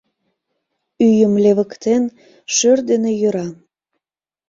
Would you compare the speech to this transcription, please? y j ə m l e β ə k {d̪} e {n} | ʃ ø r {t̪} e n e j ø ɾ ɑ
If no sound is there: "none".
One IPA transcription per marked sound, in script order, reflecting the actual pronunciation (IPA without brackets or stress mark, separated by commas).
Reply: t̪, n, d̪